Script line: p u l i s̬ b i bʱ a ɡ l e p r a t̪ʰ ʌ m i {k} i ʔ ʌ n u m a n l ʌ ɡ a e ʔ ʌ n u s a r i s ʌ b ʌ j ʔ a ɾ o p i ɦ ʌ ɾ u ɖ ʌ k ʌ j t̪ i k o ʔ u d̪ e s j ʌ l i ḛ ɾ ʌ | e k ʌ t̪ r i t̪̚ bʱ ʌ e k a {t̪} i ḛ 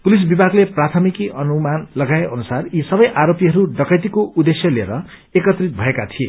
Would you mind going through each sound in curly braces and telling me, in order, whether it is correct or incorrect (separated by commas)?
correct, incorrect